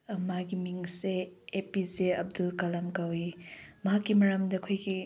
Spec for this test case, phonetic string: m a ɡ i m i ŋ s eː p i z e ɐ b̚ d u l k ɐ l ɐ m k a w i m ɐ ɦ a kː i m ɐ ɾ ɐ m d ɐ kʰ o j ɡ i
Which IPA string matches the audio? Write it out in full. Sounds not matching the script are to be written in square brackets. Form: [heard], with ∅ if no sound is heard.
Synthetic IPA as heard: m a ɡ i m i ŋ s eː p i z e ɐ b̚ d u l k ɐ l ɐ m k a w i m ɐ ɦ a kː i m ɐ ɾ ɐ m d ɐ kʰ o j ɡ i